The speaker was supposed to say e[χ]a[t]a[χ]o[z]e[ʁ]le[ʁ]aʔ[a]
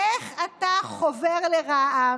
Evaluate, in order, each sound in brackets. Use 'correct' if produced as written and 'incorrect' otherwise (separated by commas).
correct, correct, correct, incorrect, correct, correct, correct